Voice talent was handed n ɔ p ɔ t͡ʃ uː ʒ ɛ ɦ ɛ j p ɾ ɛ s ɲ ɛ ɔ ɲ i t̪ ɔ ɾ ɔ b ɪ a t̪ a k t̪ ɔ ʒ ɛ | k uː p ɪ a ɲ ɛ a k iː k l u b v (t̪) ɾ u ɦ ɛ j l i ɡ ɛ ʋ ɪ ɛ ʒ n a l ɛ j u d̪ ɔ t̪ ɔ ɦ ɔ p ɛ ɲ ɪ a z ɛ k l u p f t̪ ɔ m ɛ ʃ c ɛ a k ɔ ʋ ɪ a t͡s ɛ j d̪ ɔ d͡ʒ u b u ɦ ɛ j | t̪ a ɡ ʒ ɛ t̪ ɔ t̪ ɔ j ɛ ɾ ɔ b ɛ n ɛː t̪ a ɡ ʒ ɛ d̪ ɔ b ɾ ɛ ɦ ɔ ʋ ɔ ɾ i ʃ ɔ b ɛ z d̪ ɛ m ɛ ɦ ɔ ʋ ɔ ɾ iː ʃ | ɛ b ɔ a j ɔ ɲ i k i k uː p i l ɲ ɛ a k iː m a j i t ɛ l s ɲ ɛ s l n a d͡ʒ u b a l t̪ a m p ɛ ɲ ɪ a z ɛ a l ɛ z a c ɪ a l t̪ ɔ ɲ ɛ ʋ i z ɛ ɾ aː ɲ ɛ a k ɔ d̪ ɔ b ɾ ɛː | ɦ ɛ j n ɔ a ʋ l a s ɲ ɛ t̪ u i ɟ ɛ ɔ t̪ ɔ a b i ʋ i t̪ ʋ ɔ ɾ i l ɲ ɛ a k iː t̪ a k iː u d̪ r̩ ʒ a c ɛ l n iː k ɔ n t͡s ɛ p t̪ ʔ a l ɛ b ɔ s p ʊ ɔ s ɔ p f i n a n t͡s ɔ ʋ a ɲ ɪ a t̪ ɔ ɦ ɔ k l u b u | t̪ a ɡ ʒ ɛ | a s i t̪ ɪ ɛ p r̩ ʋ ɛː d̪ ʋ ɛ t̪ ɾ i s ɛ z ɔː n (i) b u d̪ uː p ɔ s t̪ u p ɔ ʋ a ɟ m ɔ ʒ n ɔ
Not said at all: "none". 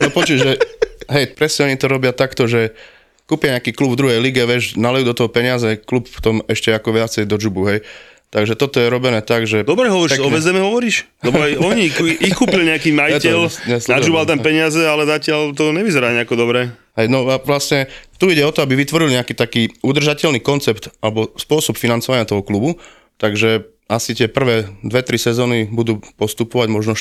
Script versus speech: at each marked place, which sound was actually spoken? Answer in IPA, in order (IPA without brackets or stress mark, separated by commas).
d̪, i